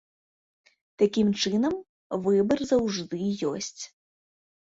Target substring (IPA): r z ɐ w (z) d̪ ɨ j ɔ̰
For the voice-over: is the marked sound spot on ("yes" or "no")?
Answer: no